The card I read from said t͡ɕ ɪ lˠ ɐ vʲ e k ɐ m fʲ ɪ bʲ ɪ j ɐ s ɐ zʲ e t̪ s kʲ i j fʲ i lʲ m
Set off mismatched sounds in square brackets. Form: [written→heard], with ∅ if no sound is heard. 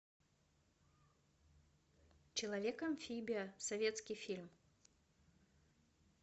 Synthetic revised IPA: t͡ɕ ɪ lˠ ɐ vʲ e k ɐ m fʲ [ɪ→i] bʲ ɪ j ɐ s ɐ [zʲ→vʲ] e t̪ s kʲ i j fʲ i lʲ m